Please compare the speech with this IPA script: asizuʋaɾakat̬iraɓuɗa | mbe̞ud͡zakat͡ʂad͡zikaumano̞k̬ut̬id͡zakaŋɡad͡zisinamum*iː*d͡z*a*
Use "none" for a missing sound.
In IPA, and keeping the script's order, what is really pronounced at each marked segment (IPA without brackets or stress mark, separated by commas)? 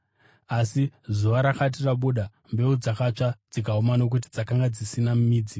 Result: iː, i